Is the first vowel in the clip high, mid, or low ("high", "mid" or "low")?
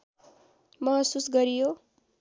mid